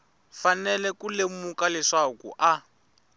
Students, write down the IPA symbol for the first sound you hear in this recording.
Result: f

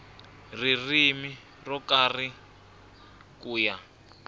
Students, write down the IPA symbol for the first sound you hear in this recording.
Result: r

